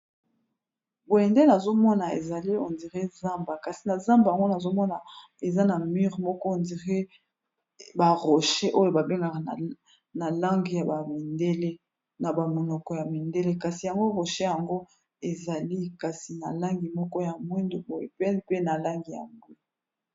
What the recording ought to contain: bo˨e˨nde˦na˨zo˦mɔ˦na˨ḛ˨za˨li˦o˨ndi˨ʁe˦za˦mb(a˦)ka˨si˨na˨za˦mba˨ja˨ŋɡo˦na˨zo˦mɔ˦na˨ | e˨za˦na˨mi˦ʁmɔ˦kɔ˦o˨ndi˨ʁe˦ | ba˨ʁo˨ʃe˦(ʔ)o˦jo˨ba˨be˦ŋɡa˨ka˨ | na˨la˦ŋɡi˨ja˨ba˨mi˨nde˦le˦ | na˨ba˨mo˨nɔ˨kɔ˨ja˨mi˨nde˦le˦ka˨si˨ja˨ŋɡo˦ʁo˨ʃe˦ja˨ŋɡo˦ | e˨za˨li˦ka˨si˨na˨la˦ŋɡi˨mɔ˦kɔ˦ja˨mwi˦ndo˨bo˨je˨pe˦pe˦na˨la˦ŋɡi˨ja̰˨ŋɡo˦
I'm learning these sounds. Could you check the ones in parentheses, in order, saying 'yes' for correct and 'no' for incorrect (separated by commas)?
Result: no, yes